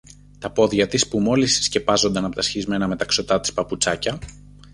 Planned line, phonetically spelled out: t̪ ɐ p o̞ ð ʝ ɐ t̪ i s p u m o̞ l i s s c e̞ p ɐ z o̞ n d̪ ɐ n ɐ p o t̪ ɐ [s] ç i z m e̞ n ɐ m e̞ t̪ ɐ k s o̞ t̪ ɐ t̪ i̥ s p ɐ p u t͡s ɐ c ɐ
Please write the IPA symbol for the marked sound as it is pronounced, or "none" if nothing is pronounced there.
s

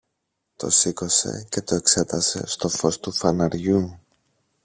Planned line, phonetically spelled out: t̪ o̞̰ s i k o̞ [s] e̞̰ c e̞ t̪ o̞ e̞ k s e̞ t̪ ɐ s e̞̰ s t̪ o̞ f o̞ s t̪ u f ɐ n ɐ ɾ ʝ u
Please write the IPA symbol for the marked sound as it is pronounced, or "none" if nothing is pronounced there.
s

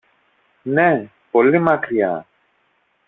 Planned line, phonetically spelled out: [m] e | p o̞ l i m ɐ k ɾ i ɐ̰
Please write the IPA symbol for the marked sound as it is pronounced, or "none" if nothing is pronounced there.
n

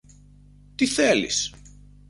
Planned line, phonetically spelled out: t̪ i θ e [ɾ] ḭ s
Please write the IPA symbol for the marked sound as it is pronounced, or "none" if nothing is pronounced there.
l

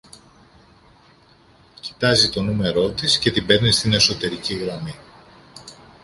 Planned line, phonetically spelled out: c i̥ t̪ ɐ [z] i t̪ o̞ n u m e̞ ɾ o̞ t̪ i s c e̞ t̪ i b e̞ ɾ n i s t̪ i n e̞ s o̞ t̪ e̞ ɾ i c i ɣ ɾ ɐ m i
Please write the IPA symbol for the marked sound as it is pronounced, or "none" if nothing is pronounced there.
z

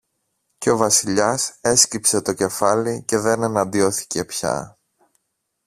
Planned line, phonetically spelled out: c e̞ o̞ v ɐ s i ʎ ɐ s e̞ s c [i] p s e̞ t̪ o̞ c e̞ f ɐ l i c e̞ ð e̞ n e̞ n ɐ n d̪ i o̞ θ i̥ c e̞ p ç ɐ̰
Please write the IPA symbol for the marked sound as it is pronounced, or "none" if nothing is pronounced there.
i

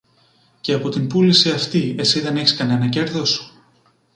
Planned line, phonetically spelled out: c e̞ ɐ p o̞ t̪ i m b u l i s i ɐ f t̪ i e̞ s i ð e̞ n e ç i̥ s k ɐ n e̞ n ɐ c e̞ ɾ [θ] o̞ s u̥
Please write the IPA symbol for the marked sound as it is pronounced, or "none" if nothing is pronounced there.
ð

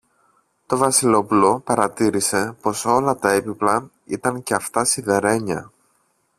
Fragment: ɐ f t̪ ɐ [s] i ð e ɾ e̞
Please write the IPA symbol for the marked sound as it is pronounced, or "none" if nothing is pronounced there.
s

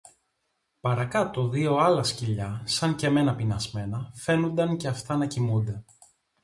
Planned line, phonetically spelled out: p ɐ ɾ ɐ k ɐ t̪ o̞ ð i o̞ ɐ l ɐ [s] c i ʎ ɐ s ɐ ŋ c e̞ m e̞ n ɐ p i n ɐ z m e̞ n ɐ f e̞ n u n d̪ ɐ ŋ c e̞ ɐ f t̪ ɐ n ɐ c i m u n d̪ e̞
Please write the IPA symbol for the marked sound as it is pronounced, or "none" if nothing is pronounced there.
s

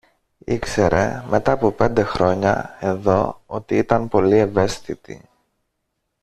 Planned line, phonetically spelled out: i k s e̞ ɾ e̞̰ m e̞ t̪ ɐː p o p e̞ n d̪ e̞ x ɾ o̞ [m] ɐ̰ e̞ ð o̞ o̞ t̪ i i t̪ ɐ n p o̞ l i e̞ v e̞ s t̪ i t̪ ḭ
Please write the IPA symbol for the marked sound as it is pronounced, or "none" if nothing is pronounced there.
ɲ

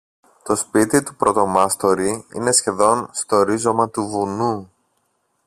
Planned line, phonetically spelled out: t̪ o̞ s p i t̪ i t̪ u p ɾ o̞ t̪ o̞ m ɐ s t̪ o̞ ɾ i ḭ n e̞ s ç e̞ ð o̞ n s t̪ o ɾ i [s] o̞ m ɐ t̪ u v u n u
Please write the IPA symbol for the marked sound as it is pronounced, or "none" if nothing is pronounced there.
z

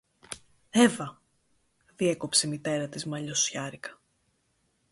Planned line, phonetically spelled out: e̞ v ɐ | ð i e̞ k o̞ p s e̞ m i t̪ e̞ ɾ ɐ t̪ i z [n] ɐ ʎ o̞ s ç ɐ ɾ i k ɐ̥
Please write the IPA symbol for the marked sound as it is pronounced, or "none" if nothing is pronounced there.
m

